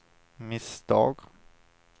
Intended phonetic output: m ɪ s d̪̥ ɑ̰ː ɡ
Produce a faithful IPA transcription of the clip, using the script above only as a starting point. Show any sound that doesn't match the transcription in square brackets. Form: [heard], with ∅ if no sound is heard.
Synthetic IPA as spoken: m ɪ s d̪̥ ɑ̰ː ɡ